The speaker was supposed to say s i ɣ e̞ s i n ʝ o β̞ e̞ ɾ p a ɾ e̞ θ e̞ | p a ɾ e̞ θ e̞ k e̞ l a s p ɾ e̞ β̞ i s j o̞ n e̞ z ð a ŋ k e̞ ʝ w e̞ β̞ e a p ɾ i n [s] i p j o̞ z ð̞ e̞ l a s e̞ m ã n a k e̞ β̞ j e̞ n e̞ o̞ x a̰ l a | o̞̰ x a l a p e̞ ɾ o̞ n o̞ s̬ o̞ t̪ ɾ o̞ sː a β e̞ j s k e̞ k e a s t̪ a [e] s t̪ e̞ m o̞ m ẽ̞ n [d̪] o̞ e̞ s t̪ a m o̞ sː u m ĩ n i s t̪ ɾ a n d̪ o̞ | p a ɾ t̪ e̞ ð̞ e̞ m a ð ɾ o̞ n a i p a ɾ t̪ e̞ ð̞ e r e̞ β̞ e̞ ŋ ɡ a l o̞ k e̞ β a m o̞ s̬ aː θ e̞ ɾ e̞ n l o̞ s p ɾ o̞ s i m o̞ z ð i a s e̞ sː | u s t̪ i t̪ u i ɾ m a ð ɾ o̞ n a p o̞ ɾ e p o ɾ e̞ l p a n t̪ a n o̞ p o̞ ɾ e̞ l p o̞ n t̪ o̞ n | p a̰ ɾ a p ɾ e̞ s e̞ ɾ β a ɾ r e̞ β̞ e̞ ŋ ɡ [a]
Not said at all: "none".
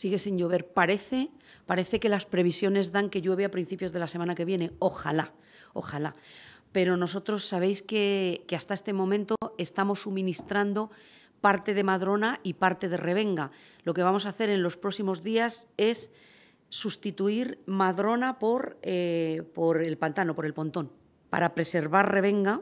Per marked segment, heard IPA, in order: θ, e, t̪, a

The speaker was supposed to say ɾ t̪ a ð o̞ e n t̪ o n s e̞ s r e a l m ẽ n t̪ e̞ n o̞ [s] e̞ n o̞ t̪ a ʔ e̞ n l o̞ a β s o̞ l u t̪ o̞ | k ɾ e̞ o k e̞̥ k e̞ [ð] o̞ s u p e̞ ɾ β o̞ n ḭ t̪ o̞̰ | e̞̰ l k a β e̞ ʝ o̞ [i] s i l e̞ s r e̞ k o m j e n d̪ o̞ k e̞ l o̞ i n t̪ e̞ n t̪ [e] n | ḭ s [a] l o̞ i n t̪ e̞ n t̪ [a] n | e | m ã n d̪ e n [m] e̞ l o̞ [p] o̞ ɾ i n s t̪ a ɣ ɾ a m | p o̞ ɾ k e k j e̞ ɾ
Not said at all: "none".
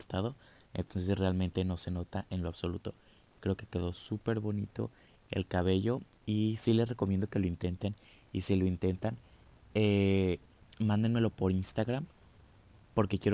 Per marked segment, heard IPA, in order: s, ð, i, e, i, a, m, p

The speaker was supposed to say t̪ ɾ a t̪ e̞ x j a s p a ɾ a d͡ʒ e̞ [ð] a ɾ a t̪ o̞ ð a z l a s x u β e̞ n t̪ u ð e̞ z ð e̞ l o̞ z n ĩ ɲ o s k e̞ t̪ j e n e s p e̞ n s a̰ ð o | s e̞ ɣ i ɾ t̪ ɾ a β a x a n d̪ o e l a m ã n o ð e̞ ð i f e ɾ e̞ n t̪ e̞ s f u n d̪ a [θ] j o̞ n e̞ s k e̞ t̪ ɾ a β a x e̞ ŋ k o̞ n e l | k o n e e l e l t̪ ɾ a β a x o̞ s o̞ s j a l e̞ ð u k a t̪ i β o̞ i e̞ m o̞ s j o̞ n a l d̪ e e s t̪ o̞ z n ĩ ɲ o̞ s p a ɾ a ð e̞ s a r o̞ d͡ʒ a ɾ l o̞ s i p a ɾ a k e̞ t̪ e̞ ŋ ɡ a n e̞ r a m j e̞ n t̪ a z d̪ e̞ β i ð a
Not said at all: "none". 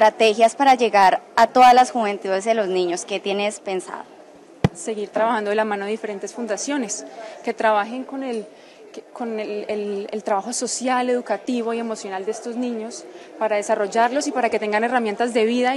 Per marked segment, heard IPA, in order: ɣ, s

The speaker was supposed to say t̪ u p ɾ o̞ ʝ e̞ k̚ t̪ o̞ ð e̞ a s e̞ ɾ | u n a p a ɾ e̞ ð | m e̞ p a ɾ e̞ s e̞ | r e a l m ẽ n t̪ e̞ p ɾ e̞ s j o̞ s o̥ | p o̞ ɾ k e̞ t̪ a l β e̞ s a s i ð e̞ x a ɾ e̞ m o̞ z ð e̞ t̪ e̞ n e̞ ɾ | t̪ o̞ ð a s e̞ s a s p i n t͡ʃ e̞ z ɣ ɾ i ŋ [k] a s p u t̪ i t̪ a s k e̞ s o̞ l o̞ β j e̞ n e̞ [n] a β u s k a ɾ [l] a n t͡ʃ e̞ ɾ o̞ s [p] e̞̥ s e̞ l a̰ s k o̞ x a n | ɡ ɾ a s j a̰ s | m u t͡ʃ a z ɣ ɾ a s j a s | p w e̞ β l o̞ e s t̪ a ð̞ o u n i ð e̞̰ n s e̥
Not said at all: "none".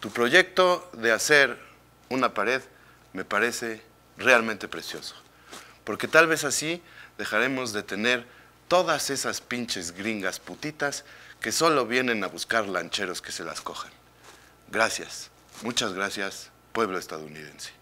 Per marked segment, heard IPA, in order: ɡ, n, l, k

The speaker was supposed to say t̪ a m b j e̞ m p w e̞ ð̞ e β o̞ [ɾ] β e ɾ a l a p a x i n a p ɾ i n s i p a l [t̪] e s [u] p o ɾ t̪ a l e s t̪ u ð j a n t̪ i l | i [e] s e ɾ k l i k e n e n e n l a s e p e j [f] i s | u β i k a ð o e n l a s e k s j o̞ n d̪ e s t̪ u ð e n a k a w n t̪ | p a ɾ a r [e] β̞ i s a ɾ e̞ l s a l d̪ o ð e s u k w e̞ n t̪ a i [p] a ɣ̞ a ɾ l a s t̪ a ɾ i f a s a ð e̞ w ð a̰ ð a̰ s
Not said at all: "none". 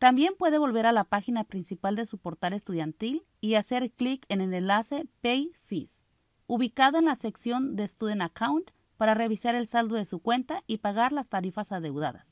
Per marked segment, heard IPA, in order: l, d̪, u, a, f, e, p

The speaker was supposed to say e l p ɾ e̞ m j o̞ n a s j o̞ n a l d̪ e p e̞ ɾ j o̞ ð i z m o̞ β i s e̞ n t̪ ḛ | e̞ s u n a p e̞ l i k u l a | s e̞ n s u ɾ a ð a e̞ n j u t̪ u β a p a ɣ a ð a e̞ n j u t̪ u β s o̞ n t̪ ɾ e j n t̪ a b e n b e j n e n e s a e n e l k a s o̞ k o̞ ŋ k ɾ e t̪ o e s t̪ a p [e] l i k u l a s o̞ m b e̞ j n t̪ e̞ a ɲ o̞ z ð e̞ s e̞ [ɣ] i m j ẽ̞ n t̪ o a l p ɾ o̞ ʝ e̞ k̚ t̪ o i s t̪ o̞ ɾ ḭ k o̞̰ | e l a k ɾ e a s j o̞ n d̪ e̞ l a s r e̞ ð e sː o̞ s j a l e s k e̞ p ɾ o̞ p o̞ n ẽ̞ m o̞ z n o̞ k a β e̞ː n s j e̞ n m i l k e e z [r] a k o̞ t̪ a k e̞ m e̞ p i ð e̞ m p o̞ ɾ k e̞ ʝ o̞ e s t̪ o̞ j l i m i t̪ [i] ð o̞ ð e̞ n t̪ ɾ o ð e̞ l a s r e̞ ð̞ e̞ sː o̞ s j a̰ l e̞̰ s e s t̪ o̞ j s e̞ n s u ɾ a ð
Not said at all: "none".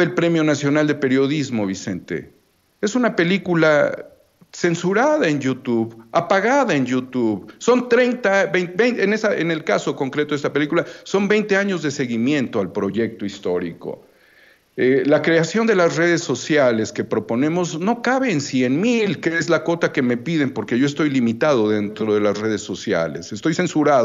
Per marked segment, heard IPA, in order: e, ɣ, l, a

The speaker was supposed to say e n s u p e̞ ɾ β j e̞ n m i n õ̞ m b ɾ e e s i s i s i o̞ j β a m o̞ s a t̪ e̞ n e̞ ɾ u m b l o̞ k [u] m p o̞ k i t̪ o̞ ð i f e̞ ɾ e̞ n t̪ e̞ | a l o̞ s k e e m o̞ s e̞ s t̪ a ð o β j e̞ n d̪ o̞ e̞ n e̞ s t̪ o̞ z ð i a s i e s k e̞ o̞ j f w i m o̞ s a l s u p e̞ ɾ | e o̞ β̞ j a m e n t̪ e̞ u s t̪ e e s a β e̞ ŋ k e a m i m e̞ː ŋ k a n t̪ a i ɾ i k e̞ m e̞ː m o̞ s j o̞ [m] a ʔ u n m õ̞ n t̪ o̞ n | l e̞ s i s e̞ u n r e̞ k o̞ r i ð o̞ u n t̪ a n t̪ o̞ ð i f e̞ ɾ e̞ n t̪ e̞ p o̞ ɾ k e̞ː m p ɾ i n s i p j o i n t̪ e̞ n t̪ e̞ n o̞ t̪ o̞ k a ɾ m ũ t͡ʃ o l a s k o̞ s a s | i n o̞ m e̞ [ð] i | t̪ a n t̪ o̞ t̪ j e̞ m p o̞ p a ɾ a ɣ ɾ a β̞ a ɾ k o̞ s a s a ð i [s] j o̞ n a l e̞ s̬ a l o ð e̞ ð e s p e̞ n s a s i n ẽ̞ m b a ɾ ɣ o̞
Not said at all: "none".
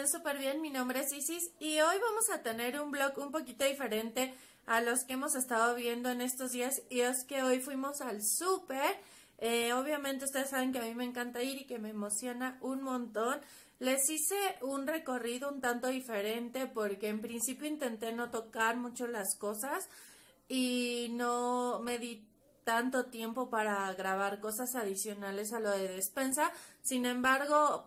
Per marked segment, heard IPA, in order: u, n, ð, s

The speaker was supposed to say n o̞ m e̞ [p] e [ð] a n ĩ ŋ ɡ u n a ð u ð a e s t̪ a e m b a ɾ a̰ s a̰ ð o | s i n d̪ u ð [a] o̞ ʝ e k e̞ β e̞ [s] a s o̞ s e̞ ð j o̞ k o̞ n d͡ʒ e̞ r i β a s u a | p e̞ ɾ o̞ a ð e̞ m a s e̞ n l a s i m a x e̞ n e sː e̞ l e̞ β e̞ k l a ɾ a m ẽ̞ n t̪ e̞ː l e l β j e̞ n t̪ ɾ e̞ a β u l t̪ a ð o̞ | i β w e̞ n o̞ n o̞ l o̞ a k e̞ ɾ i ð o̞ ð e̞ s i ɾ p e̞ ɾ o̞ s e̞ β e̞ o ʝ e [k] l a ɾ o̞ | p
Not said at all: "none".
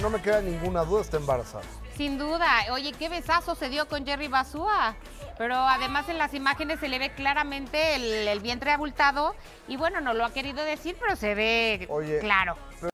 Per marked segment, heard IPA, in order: k, ð, a, s, k

